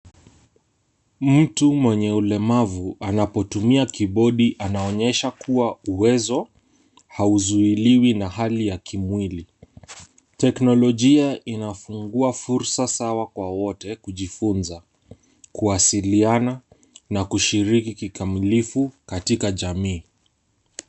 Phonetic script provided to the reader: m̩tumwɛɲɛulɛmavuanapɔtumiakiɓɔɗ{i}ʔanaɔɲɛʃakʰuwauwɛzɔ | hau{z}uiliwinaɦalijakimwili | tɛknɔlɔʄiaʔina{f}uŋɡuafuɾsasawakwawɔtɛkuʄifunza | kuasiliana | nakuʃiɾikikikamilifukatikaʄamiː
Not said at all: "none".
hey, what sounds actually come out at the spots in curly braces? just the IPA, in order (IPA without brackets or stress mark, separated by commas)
i, z, f